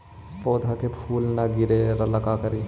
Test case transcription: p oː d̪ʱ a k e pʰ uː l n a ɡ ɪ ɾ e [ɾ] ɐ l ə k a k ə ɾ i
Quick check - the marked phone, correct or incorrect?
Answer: correct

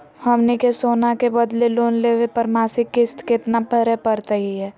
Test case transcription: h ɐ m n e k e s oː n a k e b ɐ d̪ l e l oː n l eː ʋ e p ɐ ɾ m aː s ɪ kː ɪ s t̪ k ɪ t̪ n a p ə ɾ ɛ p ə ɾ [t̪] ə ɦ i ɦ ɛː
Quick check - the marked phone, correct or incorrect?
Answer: correct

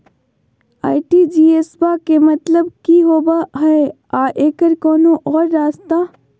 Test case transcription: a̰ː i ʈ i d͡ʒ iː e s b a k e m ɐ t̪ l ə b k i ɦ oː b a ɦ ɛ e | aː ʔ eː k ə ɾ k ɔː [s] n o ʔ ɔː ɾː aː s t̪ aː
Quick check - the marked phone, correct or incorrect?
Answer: incorrect: none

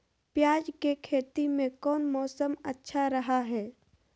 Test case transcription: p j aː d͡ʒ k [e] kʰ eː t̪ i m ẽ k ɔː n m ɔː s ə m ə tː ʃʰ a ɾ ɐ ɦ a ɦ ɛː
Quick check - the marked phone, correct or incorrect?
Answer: correct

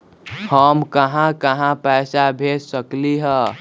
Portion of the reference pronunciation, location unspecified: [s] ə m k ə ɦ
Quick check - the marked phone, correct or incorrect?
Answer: incorrect: h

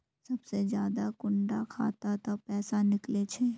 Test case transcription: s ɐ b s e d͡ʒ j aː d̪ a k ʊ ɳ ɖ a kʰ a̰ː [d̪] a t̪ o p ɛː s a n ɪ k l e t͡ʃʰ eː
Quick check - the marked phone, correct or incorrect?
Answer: incorrect: t̪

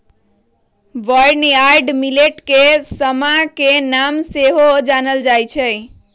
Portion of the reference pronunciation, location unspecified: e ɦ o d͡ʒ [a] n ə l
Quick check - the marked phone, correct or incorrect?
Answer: correct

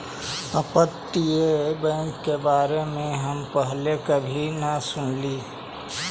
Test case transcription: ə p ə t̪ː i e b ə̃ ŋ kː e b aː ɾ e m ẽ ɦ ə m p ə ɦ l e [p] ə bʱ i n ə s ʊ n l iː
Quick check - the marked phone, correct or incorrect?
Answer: incorrect: k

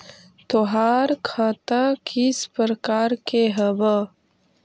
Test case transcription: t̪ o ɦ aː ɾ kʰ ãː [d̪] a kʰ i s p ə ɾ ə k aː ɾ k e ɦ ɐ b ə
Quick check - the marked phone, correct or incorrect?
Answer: incorrect: t̪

